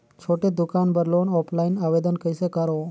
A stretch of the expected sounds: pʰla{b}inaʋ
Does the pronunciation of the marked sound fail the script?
yes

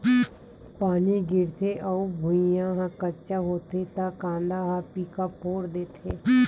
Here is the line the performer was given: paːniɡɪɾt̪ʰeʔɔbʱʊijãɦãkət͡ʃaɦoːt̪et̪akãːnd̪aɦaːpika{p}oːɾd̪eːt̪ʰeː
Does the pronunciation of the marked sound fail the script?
no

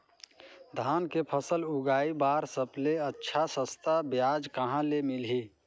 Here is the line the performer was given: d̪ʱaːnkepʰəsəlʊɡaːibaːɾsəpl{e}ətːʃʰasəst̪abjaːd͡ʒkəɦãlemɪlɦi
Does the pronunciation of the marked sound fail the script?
no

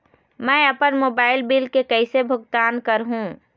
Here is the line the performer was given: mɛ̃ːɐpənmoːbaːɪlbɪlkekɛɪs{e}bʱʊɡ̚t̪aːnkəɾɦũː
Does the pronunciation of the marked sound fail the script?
no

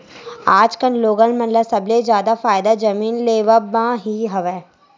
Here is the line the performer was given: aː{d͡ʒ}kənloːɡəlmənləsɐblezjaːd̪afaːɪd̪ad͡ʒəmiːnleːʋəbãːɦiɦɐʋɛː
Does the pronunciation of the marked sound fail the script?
no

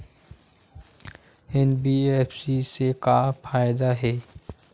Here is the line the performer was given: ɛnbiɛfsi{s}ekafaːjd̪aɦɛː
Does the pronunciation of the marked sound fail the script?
no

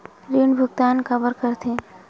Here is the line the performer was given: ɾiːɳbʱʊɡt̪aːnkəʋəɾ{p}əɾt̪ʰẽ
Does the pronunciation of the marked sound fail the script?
yes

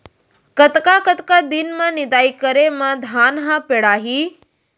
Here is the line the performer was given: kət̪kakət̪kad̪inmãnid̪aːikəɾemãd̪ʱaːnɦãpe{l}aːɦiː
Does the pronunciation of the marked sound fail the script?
yes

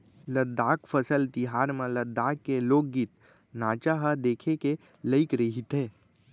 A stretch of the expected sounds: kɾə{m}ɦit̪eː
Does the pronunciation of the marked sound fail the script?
yes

